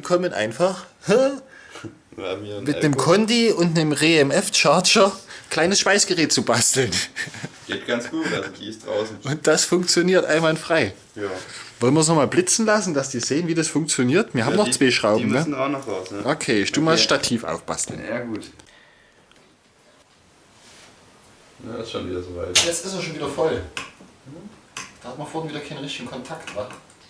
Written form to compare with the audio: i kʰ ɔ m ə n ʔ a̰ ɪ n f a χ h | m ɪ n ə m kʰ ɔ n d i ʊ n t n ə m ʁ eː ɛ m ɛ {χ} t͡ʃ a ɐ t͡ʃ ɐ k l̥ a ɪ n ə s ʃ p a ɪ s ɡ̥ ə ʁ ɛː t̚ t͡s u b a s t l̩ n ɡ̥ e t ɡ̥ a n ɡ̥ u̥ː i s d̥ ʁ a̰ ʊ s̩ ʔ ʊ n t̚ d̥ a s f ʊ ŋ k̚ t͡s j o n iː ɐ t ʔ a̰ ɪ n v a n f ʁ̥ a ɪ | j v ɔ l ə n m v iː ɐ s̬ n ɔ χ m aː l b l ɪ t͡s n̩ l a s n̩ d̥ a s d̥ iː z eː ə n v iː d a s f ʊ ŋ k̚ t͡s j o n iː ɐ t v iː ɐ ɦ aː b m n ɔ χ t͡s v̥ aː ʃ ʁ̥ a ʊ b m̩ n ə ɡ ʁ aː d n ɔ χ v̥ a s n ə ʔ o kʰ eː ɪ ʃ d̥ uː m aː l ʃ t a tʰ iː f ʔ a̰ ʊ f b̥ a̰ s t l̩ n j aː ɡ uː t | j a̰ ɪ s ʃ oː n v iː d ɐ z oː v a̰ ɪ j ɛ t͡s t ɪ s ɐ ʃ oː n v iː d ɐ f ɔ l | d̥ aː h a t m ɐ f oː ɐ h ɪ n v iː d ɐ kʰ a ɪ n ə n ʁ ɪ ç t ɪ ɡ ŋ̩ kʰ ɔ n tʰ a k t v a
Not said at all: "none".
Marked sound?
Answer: f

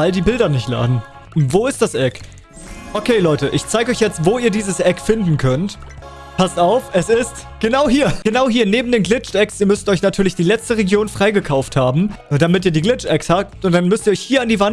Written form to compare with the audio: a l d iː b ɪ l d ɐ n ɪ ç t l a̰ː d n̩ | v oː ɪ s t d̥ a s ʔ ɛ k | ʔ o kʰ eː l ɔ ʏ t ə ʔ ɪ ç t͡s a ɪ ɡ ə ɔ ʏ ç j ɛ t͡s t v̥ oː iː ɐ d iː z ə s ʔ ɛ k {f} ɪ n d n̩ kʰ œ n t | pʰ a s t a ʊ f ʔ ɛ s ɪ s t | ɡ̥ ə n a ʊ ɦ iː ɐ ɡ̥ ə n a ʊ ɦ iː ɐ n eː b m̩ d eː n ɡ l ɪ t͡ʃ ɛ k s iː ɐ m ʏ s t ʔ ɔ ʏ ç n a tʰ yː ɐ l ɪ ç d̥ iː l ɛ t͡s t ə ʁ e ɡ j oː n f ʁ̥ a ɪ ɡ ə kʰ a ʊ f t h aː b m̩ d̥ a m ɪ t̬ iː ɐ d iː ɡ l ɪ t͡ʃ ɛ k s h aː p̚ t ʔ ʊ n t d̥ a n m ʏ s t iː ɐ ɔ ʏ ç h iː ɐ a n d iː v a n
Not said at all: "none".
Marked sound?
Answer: f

